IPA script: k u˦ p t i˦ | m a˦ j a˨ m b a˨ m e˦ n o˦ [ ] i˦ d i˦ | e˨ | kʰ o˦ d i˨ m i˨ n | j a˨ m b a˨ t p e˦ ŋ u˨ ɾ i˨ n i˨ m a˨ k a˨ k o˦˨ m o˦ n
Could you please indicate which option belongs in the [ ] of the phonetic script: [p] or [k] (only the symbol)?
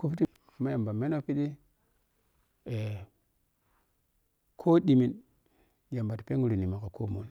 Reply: p